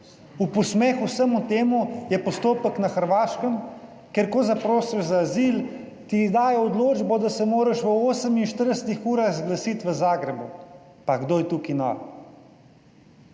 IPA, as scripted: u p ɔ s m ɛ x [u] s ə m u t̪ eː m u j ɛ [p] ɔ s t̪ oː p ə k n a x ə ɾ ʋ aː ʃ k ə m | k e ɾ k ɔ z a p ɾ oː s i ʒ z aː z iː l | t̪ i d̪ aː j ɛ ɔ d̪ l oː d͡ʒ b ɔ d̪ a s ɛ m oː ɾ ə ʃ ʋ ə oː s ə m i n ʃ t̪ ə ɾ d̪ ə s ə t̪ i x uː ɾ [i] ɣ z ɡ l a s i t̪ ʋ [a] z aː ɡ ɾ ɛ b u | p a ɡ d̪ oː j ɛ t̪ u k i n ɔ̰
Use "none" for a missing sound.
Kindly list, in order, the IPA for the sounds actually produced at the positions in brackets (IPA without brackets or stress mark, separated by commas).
u, p, a, ə